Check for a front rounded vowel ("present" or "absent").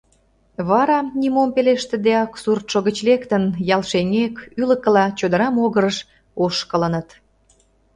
present